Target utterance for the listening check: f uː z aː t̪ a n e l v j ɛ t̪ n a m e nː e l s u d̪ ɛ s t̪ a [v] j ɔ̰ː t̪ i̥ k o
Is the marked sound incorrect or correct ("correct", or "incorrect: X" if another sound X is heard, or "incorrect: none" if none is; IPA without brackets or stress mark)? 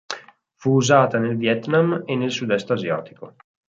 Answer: incorrect: z